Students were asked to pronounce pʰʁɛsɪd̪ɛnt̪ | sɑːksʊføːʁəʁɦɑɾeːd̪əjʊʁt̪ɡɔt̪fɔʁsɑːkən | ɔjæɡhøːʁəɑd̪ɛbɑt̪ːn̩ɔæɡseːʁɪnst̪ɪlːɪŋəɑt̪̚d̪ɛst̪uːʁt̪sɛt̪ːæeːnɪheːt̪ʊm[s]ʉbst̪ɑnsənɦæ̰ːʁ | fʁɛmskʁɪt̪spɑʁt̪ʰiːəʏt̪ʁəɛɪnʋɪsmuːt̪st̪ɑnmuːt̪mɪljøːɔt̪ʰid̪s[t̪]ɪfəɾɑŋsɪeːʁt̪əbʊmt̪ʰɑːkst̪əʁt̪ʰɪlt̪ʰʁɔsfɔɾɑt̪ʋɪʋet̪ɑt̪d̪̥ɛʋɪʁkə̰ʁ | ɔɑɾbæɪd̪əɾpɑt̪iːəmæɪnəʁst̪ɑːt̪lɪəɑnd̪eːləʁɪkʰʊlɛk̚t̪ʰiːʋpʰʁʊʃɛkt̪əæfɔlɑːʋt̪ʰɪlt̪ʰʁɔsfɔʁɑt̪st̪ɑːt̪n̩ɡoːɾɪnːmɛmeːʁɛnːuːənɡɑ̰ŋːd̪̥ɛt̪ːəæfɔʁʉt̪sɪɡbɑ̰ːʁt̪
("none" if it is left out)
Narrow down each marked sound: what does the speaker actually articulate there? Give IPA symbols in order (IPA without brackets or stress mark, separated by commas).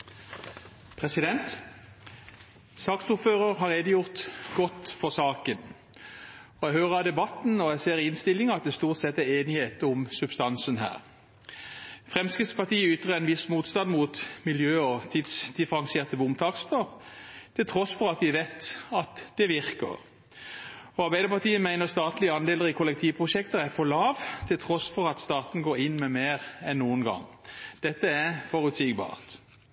s, d̪